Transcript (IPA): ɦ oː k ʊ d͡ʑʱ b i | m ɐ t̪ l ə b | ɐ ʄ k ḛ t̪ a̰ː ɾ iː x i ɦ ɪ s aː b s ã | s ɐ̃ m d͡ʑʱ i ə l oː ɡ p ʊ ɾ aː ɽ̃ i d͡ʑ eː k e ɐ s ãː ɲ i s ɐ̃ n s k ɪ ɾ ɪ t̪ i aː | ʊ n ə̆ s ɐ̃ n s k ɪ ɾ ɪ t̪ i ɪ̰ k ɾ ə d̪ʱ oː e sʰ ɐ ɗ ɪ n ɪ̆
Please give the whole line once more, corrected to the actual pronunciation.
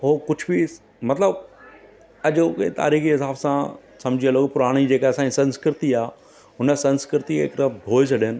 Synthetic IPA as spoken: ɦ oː k ʊ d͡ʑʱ b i | m ɐ t̪ l ə b | ɐ ʄ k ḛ t̪ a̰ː ɾ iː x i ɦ ɪ s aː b s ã | s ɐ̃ m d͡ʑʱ i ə l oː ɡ p ʊ ɾ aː ɽ̃ i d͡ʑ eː k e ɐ s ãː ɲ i s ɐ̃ n s k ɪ ɾ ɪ t̪ i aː | ʊ n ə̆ s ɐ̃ n s k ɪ ɾ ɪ t̪ i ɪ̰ k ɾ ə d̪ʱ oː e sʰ ɐ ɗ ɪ n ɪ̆